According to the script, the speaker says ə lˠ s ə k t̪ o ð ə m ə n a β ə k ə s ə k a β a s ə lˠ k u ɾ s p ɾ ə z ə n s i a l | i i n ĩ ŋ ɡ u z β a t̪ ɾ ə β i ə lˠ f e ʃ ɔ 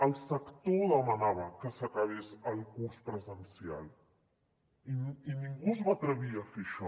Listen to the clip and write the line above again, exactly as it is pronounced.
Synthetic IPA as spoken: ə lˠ s ə k t̪ o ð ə m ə n a β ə k ə s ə k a β e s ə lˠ k u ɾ s p ɾ ə z ə n s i a l | i i n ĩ ŋ ɡ u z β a t̪ ɾ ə β i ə f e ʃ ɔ